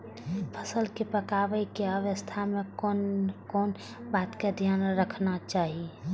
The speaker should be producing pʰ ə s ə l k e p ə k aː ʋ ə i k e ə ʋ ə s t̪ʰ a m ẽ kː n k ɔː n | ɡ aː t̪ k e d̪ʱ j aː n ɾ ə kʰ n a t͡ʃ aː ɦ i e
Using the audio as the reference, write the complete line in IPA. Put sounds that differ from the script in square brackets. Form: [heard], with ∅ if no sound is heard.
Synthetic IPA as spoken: pʰ ə s ə l k e p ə k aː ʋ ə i k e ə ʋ ə s t̪ʰ a m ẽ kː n k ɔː n | [b] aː t̪ k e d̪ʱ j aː n ɾ ə kʰ n a t͡ʃ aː ɦ i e